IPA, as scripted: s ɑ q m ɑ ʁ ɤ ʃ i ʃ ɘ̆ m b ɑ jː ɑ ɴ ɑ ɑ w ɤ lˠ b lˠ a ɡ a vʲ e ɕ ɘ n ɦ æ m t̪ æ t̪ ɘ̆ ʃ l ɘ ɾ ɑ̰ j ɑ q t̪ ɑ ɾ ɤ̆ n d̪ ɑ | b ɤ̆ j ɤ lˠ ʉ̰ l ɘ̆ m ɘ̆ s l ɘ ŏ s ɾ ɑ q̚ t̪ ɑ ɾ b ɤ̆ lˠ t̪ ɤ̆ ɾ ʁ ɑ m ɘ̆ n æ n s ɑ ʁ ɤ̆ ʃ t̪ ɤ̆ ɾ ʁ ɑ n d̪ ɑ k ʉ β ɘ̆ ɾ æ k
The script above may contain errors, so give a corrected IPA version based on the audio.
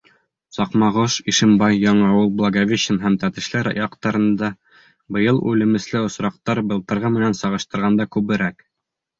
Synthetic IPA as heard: s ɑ q m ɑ ʁ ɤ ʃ i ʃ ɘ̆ m b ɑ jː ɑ ɴ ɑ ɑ w ɤ lˠ b lˠ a ɡ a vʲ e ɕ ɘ n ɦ æ m t̪ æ t̪ ɘ̆ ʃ l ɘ ɾ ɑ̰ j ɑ q t̪ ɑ ɾ ɤ̆ n d̪ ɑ | b ɤ̆ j ɤ lˠ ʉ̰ l ɘ̆ m ɘ̆ s l ɘ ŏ s ɾ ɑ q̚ t̪ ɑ ɾ b ɤ̆ lˠ t̪ ɤ̆ ɾ ʁ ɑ m ɘ̆ n æ n s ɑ ʁ ɤ̆ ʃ t̪ ɤ̆ ɾ ʁ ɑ n d̪ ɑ k ʉ β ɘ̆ ɾ æ k